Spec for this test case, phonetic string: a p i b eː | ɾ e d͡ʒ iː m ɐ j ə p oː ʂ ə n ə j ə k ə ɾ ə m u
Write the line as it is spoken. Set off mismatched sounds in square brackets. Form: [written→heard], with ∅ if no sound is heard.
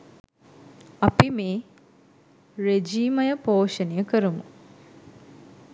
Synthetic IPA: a p i [b→m] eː | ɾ e d͡ʒ iː m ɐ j ə p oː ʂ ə n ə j ə k ə ɾ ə m u

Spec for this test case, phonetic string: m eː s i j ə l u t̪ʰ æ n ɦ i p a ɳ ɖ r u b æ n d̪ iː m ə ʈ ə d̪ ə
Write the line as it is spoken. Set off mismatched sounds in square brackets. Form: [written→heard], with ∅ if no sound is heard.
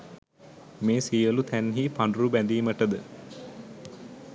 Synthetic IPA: m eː s i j ə l u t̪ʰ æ n ɦ i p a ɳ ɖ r u b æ n d̪ iː m ə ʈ ə d̪ ə

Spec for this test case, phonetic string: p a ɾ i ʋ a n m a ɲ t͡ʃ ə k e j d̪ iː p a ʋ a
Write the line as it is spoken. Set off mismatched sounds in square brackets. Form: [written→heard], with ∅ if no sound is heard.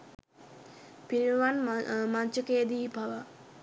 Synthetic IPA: p [a→i] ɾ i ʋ a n m a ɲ t͡ʃ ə k e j d̪ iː p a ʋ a

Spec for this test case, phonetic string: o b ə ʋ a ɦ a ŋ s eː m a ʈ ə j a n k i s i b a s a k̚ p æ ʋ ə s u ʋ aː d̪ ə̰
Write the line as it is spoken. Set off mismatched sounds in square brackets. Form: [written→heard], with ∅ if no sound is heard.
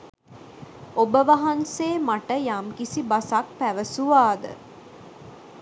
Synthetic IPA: o b ə ʋ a ɦ a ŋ s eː m a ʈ ə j a [n→m] k i s i b a s a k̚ p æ ʋ ə s u ʋ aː d̪ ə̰

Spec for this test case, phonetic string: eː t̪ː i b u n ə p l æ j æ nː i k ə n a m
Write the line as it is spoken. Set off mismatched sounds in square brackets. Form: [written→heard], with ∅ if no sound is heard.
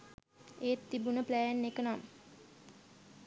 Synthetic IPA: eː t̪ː i b u n ə p l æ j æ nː [i→e] k ə n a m

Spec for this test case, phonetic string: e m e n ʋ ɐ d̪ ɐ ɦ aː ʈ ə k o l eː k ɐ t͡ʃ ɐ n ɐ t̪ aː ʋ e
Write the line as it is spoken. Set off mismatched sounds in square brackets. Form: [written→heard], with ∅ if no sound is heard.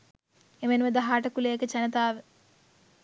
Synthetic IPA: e m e n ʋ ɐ d̪ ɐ ɦ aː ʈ [ə→ɐ] k [o→u] l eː k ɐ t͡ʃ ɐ n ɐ t̪ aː ʋ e

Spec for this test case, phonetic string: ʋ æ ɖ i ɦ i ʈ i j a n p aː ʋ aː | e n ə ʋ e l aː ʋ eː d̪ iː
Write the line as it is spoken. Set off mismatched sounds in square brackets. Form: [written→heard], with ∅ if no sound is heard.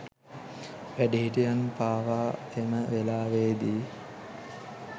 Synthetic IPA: ʋ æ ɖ i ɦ i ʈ i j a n p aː ʋ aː | e [n→m] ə ʋ e l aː ʋ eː d̪ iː

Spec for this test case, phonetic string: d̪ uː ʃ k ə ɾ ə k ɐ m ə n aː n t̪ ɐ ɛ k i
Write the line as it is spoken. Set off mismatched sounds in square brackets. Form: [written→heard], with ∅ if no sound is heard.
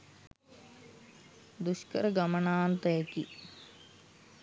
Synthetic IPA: d̪ [uː→u] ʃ k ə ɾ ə [k→ɡ] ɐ m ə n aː n t̪ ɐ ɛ k i

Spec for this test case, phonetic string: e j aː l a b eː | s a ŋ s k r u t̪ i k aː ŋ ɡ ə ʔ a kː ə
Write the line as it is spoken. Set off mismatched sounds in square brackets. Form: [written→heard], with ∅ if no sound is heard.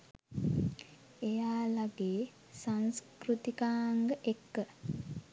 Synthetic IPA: e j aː l a [b→ɡ] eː | s a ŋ s k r u t̪ i k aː ŋ ɡ ə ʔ [a→e] kː ə

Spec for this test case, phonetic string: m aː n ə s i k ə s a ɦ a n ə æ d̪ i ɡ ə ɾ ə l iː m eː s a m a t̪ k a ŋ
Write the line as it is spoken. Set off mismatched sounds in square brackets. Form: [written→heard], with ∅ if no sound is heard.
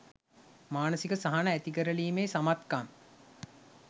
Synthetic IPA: m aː n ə s i k ə s a ɦ a n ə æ [d̪→t̪] i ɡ ə ɾ ə l iː m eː s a m a t̪ k a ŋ

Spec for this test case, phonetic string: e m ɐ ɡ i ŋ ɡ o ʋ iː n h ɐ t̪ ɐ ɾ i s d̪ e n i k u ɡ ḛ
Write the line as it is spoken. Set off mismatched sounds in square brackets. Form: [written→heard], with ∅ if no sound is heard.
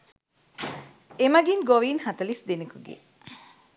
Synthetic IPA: e m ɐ ɡ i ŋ ɡ o ʋ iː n h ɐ t̪ ɐ [ɾ→l] i s d̪ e n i k u ɡ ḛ

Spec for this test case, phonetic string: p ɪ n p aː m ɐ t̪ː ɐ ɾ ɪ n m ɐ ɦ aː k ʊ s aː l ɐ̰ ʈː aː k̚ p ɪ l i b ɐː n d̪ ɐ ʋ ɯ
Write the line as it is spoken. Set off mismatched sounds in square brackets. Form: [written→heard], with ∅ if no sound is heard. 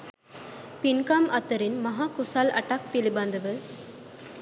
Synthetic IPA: p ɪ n [p→k] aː m ɐ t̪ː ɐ ɾ ɪ n m ɐ ɦ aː k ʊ s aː l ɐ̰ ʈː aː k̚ p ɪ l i b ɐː n d̪ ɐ ʋ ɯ

